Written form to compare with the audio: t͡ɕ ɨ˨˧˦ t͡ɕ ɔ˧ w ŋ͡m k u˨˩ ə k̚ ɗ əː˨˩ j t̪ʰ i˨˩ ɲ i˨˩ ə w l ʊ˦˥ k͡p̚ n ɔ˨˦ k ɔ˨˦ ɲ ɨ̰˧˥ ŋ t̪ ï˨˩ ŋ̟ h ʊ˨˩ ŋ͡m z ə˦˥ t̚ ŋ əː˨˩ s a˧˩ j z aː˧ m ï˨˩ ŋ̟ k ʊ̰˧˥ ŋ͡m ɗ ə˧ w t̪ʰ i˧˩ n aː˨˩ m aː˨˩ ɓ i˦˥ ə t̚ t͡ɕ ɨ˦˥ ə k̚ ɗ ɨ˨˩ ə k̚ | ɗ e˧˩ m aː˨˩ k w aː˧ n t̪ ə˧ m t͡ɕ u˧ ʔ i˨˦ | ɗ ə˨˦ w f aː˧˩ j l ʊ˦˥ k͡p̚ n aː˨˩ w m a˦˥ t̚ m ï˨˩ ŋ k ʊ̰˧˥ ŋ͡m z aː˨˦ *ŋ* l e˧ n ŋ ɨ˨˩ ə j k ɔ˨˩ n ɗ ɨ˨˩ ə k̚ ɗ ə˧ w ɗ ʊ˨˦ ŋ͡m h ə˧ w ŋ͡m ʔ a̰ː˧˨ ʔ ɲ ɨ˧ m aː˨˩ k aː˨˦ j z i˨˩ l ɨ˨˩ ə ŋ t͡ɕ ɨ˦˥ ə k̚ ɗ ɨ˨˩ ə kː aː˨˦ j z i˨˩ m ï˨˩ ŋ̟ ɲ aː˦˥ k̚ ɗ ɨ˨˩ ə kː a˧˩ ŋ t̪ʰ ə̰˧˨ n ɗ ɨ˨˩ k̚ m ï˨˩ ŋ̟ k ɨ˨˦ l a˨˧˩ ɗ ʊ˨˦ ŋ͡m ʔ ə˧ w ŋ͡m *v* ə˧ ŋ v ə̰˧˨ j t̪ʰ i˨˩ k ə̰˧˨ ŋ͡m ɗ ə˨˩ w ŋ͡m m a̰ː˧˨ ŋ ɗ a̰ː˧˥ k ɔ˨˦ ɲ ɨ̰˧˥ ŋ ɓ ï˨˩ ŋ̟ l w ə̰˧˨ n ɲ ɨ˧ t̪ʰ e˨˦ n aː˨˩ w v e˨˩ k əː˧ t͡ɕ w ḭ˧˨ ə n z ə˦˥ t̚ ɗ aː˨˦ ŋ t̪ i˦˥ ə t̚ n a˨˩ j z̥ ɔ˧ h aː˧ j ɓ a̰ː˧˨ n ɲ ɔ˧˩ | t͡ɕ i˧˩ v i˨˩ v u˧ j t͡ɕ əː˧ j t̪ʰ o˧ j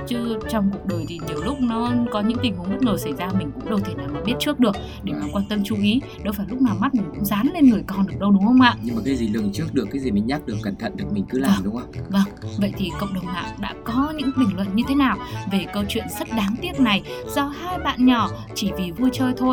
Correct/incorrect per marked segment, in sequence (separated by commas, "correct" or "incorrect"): incorrect, correct